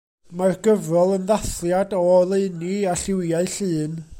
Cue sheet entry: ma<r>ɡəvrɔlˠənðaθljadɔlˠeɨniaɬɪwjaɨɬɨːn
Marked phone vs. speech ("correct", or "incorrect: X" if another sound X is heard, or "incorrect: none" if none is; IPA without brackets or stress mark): correct